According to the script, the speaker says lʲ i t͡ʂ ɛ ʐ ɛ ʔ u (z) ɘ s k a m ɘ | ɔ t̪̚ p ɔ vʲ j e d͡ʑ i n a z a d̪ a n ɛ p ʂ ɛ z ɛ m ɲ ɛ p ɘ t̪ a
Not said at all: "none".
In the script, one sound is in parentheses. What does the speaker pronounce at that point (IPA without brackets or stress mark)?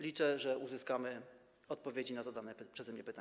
z